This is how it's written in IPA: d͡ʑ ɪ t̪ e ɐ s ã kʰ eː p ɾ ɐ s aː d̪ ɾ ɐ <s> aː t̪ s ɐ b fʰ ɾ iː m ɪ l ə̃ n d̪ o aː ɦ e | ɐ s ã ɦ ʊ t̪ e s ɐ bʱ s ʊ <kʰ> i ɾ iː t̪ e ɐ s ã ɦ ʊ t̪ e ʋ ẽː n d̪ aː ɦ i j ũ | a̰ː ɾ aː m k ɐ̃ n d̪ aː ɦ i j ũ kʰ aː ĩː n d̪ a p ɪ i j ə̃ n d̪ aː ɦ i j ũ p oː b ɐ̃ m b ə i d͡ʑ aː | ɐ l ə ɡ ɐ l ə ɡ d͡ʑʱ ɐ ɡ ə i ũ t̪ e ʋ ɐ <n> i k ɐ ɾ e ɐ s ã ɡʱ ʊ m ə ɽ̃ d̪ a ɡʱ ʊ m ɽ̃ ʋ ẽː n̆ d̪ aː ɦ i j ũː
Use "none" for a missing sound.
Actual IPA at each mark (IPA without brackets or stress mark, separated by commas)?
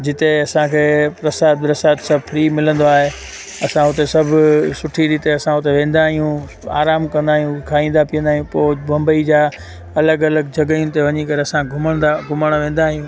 s, ʈʰ, ɲ